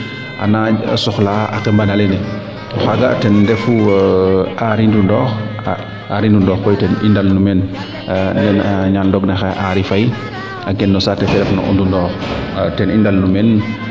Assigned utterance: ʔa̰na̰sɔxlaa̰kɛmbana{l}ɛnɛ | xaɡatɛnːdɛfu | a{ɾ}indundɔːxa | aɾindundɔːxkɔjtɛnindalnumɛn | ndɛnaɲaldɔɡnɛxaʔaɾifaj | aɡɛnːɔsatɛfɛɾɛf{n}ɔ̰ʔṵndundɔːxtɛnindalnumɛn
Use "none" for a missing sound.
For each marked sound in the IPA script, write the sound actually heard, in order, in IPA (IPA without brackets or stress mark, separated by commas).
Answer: l, ɾ, n